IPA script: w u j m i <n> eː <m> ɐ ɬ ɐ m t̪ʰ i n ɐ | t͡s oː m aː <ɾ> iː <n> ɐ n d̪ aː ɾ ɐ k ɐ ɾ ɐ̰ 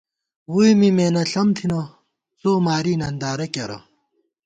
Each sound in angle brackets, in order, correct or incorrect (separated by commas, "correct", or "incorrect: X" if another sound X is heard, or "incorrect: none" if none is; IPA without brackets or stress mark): incorrect: m, incorrect: n, correct, correct